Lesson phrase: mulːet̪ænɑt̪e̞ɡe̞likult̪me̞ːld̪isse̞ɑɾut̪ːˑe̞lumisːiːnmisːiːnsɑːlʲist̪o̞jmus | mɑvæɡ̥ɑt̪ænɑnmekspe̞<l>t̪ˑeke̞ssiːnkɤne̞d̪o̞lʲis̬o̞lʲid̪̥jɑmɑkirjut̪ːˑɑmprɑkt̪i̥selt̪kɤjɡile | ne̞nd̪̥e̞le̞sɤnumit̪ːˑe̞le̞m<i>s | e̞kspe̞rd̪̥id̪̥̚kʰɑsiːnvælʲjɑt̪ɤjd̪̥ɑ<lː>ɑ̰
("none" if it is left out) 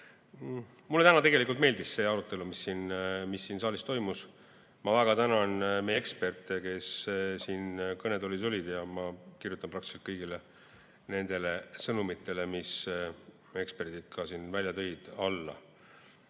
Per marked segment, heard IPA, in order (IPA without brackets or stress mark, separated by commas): r, i, lː